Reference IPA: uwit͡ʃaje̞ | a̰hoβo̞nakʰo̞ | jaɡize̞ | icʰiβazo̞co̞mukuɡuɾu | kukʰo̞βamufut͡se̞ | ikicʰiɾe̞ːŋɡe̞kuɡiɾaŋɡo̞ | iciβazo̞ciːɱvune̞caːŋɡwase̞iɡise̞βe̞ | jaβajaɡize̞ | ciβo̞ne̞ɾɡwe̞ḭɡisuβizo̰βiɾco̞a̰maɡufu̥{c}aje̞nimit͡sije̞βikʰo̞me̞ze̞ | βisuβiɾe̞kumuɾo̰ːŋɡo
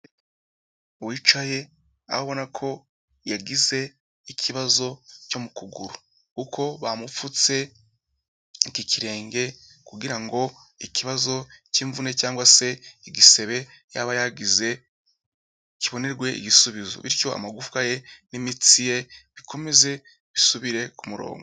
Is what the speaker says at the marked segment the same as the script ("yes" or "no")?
no